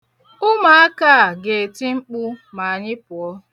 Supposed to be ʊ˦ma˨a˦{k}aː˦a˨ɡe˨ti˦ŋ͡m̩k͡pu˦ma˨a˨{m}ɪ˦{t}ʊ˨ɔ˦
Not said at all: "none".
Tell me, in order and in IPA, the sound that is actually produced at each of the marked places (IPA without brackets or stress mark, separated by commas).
k, ɲ, p